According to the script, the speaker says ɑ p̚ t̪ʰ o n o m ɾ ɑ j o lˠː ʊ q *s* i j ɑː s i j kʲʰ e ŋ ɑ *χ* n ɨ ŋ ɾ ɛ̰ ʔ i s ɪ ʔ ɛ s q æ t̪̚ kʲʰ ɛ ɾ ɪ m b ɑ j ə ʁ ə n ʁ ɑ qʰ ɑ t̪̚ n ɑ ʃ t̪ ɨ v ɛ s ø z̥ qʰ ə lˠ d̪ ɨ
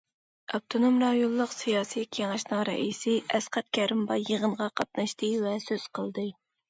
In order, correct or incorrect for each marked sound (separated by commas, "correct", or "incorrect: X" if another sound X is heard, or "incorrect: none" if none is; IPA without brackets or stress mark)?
correct, incorrect: ʃ